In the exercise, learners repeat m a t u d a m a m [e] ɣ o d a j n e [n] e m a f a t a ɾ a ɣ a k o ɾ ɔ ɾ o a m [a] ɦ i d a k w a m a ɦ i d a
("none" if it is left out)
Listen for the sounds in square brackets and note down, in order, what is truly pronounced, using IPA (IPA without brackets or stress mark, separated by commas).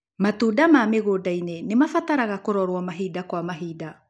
e, n, a